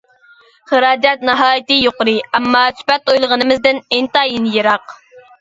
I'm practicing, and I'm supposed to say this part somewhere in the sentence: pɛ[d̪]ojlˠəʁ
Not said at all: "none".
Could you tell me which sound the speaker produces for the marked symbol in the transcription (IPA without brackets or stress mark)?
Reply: t̪